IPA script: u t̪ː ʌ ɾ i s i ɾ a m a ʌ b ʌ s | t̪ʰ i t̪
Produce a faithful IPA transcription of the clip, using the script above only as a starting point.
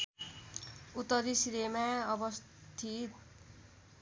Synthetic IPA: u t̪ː ʌ ɾ i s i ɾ e m a ʌ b ʌ s | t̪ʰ i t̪